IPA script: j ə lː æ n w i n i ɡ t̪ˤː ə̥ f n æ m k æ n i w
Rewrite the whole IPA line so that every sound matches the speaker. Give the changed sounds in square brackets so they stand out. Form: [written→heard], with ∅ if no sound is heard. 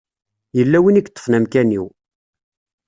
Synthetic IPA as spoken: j ə lː æ [n→∅] w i n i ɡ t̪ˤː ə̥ f n æ m k æ n i w